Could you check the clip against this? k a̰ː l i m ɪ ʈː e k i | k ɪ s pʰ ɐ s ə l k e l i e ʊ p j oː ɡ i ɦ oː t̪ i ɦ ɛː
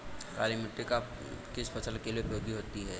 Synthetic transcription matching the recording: k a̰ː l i m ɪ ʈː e k a | k ɪ s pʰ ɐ s ə l k e l i e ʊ p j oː ɡ i ɦ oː t̪ i ɦ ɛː